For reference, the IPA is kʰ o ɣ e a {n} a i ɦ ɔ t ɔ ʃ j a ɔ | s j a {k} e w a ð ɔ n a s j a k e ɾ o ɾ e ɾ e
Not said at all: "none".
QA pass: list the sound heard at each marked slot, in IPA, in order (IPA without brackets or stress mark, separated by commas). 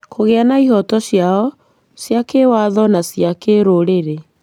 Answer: n, k